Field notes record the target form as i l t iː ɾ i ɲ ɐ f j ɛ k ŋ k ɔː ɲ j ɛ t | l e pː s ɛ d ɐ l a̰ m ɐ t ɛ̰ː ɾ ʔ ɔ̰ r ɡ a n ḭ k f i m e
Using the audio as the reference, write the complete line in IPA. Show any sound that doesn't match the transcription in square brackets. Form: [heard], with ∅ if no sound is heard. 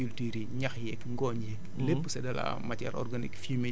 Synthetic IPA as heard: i l t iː ɾ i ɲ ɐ [x] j ɛ k ŋ [ɡ] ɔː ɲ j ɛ [k] | l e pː s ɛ d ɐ l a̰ m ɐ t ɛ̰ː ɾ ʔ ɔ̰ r ɡ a n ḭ k f i m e